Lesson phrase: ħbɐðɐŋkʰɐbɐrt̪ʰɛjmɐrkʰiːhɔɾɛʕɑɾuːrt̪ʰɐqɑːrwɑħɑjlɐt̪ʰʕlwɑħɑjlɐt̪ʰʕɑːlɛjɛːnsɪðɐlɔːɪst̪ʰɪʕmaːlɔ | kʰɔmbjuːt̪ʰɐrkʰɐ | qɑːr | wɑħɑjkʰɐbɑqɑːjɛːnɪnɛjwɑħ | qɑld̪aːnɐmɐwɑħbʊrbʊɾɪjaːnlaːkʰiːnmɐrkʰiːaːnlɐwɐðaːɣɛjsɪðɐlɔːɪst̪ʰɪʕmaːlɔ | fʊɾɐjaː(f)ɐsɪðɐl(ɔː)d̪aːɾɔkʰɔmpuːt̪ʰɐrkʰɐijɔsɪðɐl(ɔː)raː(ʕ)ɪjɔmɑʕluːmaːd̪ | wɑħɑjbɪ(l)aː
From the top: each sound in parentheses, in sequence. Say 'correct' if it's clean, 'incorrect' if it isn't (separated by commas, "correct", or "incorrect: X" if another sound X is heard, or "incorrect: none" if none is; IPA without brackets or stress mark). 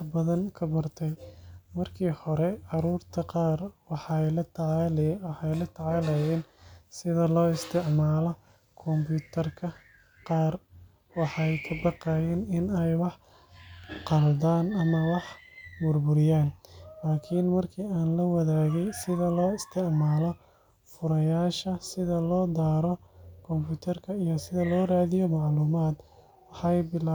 incorrect: ʃ, correct, correct, incorrect: ð, correct